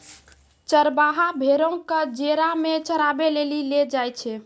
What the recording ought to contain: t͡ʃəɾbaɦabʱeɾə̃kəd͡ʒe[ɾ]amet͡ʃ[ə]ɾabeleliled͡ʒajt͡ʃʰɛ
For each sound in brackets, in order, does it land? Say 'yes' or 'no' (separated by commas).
yes, yes